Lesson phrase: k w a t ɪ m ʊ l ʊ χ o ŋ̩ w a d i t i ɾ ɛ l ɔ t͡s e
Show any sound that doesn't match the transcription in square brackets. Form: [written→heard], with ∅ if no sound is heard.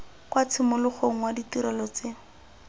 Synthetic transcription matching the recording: k w a [t→t͡sʰ] ɪ m ʊ l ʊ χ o ŋ̩ w a d i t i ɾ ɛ l ɔ t͡s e